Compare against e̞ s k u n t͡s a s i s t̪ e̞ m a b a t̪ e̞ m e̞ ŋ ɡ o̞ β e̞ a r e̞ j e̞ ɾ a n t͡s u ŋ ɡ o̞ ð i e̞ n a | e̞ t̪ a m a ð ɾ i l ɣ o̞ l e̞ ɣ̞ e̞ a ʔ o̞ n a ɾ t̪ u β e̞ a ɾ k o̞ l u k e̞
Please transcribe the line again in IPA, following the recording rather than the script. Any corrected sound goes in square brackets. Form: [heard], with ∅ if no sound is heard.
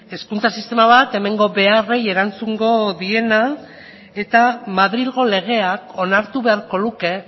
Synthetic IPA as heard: e̞ s k u n t͡s a s i s t̪ e̞ m a [β] a t̪ e̞ m e̞ ŋ ɡ o̞ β e̞ a r e̞ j e̞ ɾ a n t͡s u ŋ ɡ o̞ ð i e̞ n a | e̞ t̪ a m a ð ɾ i l ɣ o̞ l e̞ ɣ̞ e̞ a [k] o̞ n a ɾ t̪ u β e̞ a ɾ k o̞ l u k e̞